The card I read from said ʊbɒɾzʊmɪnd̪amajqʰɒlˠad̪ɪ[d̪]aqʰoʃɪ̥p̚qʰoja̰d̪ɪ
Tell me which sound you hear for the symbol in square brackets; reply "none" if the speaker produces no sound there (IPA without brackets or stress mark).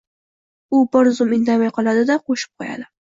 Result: d̪